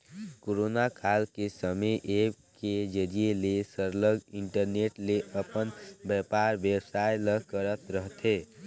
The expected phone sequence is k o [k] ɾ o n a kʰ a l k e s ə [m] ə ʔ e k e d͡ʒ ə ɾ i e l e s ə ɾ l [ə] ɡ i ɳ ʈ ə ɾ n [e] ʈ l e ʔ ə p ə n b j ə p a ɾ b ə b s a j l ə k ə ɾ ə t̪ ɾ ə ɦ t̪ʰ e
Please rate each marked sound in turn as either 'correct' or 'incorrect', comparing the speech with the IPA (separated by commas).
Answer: incorrect, correct, correct, correct